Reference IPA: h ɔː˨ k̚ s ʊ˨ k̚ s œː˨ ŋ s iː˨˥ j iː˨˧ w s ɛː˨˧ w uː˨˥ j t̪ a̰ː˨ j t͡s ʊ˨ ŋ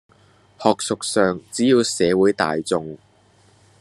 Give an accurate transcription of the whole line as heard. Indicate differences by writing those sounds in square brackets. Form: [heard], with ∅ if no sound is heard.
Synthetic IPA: h ɔː˨ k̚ s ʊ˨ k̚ s œː˨ ŋ [t͡s] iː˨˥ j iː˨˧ w s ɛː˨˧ w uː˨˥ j t̪ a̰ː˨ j t͡s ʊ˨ ŋ